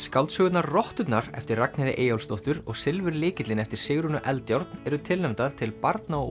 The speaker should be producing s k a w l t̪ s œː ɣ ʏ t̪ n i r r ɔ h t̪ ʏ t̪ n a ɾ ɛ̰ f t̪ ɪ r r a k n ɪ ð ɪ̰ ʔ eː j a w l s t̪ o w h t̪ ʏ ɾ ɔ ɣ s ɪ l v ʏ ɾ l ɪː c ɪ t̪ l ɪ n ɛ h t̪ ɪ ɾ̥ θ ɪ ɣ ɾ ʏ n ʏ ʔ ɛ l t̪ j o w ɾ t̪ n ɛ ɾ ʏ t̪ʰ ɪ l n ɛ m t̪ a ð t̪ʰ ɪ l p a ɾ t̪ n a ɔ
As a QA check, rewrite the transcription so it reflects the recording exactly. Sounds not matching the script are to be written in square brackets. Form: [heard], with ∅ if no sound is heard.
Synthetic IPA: s k a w l t̪ s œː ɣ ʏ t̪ n [a] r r ɔ h t̪ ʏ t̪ n a ɾ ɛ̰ f t̪ ɪ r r a k n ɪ ð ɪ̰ ʔ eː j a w l s t̪ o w h t̪ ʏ ɾ ɔ ɣ s ɪ l v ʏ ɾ l ɪː c ɪ t̪ l ɪ n ɛ [f] t̪ ɪ ɾ̥ [s] ɪ ɣ ɾ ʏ n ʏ ʔ ɛ l t̪ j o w ɾ t̪ n ɛ ɾ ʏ t̪ʰ ɪ l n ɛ m t̪ a ð t̪ʰ ɪ l p a ɾ t̪ n a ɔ

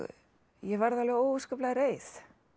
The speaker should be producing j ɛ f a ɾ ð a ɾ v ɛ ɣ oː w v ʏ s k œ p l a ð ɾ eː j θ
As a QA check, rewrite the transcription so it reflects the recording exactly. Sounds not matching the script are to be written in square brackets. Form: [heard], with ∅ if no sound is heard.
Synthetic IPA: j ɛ [v] a ɾ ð a [l] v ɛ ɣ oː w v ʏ s k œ p l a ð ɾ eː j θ

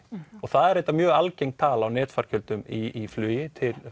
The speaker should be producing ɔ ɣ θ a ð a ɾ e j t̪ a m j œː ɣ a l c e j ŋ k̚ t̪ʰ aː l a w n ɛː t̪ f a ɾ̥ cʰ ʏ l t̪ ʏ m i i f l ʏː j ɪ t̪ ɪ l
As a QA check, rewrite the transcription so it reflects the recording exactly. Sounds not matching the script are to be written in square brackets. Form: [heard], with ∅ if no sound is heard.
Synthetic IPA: ɔ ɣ θ a ð [ɛ] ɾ e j t̪ a m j œː ɣ a l c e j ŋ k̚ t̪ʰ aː l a w n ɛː t̪ f a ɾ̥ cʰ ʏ l t̪ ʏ m i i f l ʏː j ɪ [t̪ʰ] ɪ l

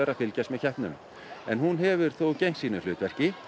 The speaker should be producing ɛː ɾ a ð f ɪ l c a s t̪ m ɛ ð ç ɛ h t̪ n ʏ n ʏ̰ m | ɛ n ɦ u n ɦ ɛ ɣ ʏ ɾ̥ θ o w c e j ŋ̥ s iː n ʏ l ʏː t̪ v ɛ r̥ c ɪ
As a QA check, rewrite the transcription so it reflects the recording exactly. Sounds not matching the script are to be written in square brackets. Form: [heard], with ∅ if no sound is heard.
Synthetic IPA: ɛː ɾ a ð f ɪ l c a s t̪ m ɛ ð ç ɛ h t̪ n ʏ n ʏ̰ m | ɛ n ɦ u n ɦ ɛ [v] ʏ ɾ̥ θ o w c e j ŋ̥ s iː n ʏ l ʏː t̪ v ɛ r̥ c ɪ

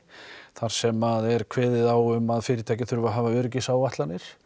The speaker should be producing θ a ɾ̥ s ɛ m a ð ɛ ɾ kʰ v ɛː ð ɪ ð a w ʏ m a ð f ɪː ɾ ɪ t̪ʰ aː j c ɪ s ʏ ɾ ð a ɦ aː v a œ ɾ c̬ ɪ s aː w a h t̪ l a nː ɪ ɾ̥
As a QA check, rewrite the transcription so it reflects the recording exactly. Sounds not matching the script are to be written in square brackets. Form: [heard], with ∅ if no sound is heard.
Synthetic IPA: θ a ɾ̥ s ɛ m a ð ɛ ɾ kʰ v ɛː ð ɪ ð a w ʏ m a ð f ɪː ɾ ɪ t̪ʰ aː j c ɪ [θ] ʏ ɾ [v] a ɦ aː v a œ ɾ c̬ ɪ s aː w a h t̪ l a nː ɪ ɾ̥

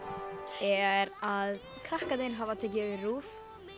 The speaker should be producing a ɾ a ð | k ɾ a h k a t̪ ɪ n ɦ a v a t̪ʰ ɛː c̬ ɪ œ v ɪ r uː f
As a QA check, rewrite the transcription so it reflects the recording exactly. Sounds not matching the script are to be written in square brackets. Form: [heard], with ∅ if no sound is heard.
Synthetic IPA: [ɛ] ɾ a ð | [kʰ] ɾ a h k a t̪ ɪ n ɦ a v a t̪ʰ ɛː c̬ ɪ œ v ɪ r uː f

